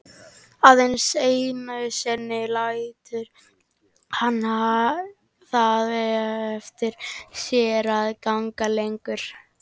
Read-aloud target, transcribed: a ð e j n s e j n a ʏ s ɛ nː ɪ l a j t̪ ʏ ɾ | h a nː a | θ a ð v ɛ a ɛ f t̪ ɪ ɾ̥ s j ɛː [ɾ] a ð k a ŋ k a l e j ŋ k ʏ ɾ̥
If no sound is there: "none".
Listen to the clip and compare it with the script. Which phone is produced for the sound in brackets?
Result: ɾ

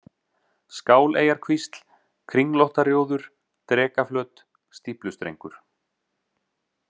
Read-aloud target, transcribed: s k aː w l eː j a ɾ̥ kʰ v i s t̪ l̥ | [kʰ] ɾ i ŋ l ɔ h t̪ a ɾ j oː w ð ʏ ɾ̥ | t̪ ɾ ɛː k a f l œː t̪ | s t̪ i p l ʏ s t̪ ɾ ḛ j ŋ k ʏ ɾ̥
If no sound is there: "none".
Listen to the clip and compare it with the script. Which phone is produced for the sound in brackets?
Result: kʰ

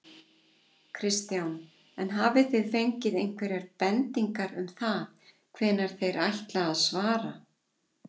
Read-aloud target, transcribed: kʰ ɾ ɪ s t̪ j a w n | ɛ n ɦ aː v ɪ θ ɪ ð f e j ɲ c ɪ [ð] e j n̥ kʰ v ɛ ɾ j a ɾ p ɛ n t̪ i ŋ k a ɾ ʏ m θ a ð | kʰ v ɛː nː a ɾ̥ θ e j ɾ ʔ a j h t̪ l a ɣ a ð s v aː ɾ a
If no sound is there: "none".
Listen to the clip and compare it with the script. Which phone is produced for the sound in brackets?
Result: ð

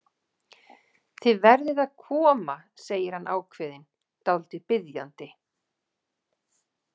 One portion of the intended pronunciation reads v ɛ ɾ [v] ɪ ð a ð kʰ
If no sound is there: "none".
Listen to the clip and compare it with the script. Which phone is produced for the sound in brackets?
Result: ð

